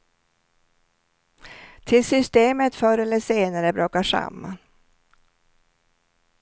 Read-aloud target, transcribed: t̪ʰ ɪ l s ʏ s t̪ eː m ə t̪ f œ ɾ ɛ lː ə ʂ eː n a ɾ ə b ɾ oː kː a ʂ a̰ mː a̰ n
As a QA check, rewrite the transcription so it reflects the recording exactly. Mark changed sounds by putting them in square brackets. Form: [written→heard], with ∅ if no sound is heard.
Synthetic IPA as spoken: t̪ʰ ɪ l s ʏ s t̪ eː m ə t̪ f œ ɾ ɛ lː ə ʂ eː n a ɾ ə b ɾ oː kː a ʂ a̰ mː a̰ n